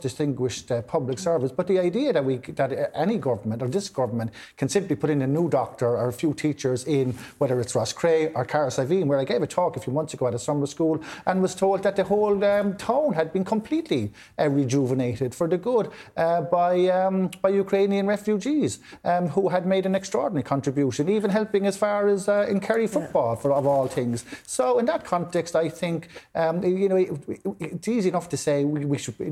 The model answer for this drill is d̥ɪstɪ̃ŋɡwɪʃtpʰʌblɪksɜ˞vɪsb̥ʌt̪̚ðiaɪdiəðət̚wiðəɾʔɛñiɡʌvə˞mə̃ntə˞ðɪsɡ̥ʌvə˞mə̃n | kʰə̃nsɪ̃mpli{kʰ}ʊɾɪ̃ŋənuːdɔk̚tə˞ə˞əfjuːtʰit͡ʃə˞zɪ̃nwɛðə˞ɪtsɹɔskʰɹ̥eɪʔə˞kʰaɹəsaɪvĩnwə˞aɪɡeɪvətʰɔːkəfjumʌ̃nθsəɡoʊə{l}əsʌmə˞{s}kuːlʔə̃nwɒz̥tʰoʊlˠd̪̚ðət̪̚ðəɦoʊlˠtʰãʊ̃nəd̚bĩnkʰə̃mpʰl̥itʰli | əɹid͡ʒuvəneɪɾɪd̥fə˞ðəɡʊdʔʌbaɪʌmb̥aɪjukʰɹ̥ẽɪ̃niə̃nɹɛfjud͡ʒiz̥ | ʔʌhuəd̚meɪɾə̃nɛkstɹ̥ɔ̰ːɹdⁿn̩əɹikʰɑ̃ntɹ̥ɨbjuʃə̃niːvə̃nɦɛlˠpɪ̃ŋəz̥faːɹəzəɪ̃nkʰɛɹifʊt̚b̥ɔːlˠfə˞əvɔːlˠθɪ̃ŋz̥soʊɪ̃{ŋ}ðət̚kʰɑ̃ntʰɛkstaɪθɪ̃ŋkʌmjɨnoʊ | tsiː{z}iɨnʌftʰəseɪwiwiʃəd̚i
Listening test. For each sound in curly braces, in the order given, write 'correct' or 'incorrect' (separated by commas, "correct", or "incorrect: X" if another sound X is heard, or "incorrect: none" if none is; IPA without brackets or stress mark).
incorrect: pʰ, incorrect: ɾ, correct, incorrect: n, correct